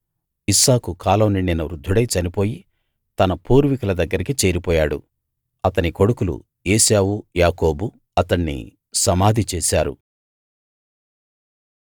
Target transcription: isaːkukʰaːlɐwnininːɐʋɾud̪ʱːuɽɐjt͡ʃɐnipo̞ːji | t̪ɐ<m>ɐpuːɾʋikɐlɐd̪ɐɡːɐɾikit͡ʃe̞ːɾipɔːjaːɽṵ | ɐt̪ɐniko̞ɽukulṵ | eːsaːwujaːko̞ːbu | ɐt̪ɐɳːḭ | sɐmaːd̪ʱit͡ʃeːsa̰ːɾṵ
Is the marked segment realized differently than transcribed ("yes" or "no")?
yes